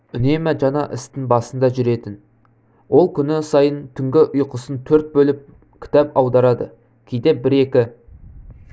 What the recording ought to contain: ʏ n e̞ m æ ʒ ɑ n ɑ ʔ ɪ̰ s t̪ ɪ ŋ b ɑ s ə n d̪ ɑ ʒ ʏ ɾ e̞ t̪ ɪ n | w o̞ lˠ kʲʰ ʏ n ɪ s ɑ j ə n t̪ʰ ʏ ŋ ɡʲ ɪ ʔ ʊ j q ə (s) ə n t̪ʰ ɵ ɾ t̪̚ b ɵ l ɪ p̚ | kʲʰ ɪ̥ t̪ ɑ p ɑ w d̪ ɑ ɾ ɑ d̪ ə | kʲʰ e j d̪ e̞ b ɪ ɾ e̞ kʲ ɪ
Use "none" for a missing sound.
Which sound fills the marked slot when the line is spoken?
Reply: s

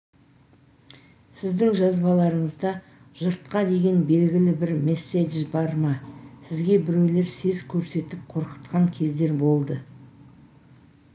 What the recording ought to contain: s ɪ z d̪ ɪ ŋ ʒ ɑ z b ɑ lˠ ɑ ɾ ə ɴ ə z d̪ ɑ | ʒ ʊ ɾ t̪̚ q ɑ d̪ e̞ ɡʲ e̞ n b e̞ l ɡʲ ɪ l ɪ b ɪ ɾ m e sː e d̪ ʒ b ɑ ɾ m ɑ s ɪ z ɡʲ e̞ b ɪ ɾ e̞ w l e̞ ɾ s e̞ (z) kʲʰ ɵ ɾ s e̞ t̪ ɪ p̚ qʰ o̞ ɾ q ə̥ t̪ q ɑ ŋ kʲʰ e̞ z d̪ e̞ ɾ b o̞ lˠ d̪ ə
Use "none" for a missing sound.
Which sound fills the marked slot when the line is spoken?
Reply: z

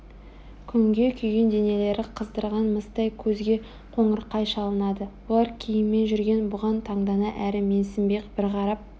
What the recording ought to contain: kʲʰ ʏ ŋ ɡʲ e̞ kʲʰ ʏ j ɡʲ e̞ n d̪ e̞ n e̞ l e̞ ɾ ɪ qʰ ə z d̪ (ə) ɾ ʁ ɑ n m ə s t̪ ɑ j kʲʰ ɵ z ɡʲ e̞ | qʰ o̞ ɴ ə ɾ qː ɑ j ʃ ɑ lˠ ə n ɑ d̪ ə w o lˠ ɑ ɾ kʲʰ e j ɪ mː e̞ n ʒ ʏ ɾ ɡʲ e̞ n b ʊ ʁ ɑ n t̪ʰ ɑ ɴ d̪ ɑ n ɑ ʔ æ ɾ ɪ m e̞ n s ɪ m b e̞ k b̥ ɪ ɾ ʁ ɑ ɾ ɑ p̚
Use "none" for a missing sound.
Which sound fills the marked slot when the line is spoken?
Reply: ə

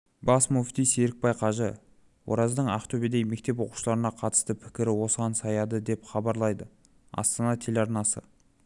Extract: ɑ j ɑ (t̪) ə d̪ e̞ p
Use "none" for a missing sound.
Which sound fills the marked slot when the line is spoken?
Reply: d̪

